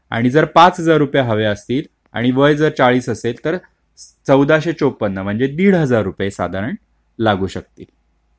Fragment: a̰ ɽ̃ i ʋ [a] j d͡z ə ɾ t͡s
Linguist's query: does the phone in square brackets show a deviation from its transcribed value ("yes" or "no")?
yes